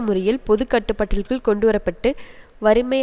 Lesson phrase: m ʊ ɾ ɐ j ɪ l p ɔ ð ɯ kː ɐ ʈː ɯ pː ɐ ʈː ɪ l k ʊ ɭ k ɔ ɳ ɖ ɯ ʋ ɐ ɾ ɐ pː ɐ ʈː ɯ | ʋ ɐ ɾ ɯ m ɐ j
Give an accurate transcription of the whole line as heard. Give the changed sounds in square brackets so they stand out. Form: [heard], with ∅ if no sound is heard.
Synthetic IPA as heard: m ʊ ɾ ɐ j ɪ l p ɔ ð ɯ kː ɐ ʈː ɯ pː ɐ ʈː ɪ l k [ɯ] ɭ k ɔ ɳ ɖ ɯ ʋ ɐ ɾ ɐ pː ɐ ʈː ɯ | ʋ ɐ ɾ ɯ m ɐ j